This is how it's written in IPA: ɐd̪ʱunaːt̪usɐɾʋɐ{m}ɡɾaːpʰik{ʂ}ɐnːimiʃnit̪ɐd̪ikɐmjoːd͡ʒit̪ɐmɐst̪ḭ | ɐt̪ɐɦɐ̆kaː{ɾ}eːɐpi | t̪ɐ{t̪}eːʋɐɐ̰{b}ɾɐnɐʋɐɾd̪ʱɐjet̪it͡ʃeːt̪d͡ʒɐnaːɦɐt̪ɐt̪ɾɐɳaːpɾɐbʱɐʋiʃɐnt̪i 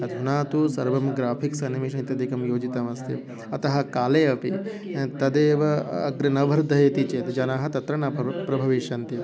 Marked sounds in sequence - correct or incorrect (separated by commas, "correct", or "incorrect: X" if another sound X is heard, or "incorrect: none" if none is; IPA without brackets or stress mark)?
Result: correct, incorrect: s, incorrect: l, incorrect: d̪, incorrect: ɡ